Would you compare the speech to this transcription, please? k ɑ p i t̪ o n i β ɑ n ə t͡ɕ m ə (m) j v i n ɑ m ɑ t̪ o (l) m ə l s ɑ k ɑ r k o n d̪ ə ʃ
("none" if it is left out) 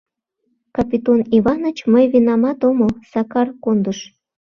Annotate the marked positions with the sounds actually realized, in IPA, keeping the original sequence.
none, none

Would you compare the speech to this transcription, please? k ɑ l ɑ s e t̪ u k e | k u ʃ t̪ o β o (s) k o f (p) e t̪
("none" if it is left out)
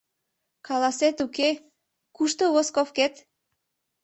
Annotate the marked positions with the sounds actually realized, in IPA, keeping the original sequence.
s, k

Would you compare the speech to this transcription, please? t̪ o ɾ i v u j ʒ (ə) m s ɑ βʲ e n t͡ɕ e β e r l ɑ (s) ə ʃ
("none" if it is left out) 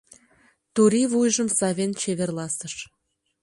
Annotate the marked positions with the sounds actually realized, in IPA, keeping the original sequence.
ə, s

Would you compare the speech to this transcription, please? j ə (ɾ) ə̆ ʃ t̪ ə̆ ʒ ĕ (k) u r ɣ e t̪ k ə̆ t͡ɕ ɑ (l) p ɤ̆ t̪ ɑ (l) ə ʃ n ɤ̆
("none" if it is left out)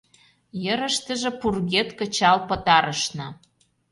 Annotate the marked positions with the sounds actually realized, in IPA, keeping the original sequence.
ɾ, p, l, ɾ

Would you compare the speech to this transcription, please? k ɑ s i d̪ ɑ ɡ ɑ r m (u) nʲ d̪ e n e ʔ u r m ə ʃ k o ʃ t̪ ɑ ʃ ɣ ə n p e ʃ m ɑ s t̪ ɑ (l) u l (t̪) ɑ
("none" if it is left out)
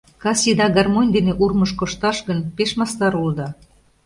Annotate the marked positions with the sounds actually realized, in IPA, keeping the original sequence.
o, ɾ, d̪

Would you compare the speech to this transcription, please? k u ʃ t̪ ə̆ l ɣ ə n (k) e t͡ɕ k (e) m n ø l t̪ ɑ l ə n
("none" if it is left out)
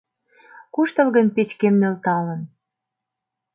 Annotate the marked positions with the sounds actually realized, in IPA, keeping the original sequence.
p, e

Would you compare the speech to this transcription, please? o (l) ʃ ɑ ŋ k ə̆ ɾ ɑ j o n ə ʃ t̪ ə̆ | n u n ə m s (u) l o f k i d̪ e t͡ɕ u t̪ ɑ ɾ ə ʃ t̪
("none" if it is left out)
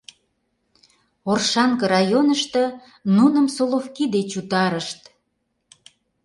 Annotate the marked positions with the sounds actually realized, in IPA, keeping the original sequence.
r, o

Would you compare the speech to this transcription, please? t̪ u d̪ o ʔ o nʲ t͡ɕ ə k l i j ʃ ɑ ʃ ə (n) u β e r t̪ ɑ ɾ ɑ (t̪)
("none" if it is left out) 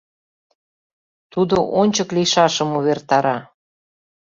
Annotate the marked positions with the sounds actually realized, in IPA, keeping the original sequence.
m, none

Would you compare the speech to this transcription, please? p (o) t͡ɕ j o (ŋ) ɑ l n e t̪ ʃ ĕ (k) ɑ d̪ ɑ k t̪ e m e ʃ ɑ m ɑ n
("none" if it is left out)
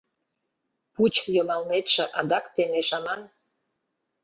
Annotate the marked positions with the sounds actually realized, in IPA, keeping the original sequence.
u, m, ʔ

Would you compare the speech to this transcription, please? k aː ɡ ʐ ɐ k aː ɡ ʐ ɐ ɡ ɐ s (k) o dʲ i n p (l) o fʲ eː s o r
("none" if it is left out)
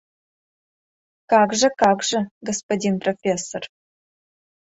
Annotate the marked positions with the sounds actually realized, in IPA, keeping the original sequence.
p, r

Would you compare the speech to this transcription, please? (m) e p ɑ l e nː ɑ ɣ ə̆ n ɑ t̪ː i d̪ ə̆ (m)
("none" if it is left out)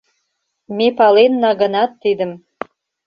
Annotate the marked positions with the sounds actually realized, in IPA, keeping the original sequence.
m, m

